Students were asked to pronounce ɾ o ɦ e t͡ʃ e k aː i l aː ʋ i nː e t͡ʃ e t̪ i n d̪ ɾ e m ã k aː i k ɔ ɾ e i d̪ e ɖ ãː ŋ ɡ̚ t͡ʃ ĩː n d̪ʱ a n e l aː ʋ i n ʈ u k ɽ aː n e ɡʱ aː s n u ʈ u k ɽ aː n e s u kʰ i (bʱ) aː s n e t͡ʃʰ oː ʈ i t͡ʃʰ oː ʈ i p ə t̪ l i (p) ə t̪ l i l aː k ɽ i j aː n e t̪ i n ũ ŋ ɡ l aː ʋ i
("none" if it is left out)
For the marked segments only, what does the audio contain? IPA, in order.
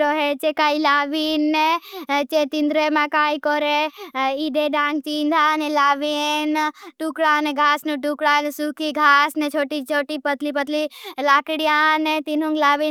ɡʱ, p

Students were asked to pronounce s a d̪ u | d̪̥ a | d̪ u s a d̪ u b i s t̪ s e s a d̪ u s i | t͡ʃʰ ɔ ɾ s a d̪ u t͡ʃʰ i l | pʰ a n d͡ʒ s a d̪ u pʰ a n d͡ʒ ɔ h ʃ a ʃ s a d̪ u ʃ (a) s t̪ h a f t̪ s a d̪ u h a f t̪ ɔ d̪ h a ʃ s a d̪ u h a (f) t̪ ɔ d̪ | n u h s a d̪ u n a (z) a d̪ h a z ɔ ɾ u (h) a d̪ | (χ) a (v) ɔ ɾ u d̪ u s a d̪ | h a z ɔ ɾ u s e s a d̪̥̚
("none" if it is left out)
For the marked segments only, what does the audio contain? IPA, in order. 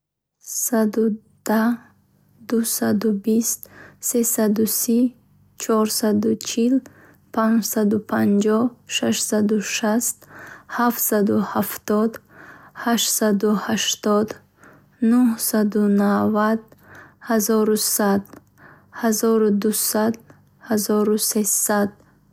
a, ʃ, v, s, h, z

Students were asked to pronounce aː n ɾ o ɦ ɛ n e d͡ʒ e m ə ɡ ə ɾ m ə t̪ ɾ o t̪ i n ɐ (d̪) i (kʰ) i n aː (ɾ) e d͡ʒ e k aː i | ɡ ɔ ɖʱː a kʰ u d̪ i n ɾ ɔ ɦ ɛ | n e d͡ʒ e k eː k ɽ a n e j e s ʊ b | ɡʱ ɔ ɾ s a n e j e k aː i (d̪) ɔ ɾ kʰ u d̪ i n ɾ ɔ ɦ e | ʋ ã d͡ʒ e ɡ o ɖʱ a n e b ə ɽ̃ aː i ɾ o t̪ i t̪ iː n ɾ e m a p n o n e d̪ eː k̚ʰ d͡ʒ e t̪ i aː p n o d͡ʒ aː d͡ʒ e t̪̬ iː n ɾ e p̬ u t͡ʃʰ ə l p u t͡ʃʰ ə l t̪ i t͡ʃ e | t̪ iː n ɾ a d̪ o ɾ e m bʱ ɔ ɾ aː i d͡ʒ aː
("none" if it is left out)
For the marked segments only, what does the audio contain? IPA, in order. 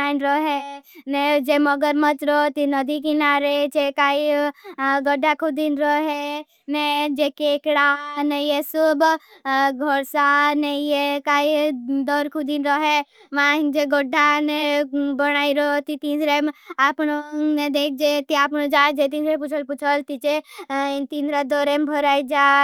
d̪, k, ɾ, d̪

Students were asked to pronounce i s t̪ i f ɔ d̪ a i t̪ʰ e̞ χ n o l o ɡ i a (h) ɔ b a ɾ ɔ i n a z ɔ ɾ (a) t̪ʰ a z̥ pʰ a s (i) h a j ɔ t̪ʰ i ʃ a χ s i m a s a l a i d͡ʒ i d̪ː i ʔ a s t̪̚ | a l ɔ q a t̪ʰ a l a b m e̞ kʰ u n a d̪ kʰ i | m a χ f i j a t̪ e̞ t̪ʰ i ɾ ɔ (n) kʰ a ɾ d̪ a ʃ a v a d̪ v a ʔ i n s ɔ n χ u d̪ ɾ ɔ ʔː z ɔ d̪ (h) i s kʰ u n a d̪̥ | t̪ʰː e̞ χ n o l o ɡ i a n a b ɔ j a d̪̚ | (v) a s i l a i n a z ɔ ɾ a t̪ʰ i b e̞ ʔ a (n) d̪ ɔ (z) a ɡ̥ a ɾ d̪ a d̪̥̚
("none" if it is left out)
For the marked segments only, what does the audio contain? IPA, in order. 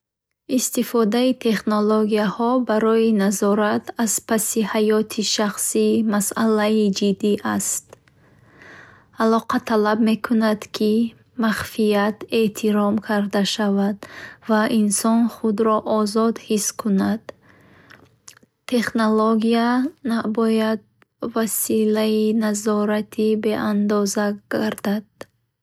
h, a, i, m, h, v, n, z

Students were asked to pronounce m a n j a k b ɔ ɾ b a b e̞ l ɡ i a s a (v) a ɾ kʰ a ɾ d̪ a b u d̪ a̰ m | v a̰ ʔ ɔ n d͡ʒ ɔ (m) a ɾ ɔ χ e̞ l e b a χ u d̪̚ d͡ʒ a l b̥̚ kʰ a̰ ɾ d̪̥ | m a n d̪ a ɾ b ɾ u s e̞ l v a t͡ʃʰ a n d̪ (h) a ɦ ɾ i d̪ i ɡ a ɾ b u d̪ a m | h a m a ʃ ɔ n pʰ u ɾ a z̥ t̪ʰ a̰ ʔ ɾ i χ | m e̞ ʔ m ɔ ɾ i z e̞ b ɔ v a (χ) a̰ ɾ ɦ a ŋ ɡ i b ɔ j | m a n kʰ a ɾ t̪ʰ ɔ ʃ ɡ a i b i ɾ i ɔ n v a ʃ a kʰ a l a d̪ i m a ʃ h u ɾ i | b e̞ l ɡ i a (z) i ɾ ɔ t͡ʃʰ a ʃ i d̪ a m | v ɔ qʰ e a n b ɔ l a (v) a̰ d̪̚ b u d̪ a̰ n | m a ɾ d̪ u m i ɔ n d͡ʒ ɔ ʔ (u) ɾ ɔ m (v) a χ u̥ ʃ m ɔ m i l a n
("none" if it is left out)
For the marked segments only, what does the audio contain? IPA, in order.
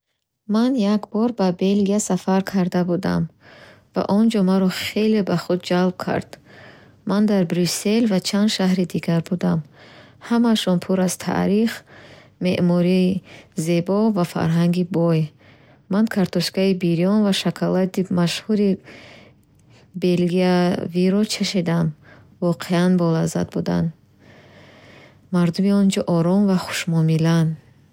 f, m, ʃ, f, v, z, ɔ, v

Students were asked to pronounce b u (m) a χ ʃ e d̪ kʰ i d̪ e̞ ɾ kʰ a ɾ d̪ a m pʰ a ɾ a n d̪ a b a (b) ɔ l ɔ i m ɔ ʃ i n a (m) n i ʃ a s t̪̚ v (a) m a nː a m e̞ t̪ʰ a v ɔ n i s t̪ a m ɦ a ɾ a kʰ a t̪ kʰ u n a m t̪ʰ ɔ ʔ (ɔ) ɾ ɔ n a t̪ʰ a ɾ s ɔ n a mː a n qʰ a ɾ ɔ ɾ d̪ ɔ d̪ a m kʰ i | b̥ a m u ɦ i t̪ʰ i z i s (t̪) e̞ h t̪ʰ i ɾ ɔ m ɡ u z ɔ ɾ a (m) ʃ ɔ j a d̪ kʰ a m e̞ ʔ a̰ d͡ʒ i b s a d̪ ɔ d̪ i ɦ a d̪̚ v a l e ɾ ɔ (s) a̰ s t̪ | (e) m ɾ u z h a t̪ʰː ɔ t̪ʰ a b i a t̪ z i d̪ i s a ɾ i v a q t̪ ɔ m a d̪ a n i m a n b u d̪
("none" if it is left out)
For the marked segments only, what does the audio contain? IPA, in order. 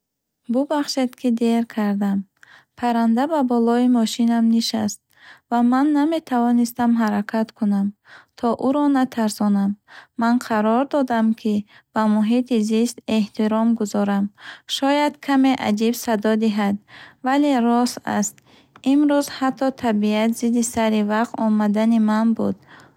b, b, m, a, u, t̪, m, s, i

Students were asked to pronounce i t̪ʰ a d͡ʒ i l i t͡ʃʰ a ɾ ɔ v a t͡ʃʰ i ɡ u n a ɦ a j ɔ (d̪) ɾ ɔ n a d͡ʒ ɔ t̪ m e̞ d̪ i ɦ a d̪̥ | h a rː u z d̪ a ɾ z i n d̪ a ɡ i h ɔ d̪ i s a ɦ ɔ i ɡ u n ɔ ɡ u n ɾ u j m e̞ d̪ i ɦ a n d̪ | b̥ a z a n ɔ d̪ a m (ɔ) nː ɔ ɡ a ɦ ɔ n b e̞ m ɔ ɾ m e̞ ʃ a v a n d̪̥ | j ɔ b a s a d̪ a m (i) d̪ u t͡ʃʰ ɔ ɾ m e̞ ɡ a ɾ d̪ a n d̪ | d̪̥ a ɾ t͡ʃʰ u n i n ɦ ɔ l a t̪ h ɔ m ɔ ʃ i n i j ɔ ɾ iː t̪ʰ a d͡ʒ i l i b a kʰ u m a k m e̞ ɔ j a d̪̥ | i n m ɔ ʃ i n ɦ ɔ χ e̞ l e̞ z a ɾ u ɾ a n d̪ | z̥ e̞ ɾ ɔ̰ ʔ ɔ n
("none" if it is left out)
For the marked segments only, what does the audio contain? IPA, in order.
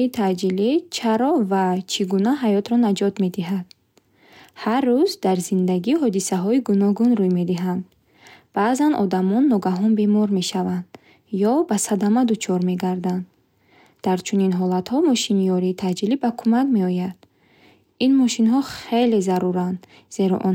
t̪, ɔ, a

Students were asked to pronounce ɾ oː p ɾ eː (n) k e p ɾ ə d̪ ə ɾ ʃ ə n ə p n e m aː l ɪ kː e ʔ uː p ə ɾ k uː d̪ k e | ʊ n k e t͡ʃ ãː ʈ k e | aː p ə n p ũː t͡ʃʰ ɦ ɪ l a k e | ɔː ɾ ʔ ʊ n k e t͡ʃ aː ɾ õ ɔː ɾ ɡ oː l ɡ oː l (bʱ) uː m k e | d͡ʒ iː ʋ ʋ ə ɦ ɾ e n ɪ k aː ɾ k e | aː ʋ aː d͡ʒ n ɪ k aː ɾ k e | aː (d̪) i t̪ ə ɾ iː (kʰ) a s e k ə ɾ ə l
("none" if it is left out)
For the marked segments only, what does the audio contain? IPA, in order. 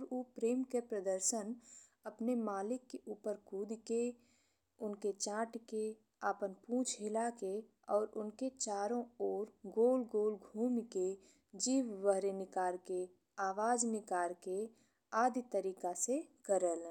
m, ɡʱ, d̪, k

